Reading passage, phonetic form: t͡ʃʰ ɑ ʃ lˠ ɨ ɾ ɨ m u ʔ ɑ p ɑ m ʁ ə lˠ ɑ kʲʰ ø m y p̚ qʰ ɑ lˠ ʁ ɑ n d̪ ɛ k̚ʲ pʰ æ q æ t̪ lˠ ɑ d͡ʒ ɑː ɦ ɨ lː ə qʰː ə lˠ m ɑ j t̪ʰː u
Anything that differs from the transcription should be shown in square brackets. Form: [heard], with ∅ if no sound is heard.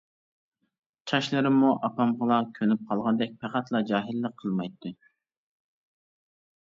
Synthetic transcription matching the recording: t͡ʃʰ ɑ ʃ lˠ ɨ ɾ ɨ m u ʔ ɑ p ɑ m ʁ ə lˠ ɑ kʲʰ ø [n] y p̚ qʰ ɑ lˠ ʁ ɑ n d̪ ɛ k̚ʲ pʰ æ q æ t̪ lˠ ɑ d͡ʒ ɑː ɦ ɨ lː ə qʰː ə lˠ m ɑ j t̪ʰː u